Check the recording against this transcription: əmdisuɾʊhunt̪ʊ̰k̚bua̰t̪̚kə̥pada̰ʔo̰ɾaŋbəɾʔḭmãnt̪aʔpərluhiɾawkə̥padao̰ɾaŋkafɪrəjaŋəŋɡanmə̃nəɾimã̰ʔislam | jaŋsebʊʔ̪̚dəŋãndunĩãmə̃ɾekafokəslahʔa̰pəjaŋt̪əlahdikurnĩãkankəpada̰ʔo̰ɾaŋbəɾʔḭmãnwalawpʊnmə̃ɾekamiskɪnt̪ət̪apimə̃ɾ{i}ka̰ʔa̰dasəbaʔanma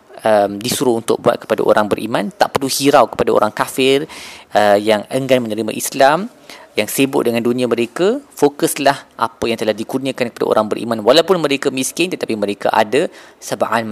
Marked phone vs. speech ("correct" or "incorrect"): incorrect